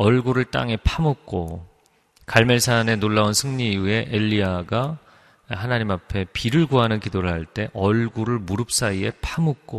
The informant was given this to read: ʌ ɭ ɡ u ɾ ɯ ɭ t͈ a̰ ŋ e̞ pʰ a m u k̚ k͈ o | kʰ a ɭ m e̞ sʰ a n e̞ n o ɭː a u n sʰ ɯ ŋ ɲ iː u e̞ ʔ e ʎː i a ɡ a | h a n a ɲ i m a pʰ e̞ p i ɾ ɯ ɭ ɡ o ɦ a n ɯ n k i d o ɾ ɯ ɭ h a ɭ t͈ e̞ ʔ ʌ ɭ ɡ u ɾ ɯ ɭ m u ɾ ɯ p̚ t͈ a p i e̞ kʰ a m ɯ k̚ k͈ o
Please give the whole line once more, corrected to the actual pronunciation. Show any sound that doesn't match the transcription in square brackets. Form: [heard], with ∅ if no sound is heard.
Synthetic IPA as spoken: ʌ ɭ ɡ u ɾ ɯ ɭ t͈ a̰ ŋ e̞ pʰ a m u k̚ k͈ o | [k] a ɭ m e̞ sʰ a n e̞ n o ɭː a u n sʰ ɯ ŋ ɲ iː u e̞ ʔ e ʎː i a ɡ a | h a n a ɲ i m a pʰ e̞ p i ɾ ɯ ɭ ɡ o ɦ a n ɯ n k i d o ɾ ɯ ɭ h a ɭ t͈ e̞ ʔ ʌ ɭ ɡ u ɾ ɯ ɭ m u ɾ ɯ p̚ [s͈] a [∅] i e̞ [pʰ] a m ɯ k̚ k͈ o